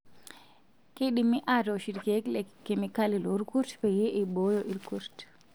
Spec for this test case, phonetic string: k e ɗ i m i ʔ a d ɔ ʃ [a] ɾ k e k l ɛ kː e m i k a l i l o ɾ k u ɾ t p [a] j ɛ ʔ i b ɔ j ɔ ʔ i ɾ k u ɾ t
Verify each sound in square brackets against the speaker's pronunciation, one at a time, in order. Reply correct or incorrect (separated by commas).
incorrect, incorrect